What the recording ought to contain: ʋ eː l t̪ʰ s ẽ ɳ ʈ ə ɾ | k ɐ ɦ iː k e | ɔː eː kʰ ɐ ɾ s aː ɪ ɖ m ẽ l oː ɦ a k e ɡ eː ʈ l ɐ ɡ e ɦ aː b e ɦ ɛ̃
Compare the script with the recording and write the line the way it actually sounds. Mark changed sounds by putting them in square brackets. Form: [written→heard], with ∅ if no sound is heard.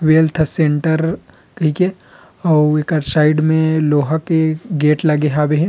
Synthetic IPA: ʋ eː l t̪ʰ s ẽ ɳ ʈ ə ɾ | k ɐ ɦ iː k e | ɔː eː [kʰ→k] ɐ ɾ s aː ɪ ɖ m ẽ l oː ɦ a k e ɡ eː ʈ l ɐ ɡ e ɦ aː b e ɦ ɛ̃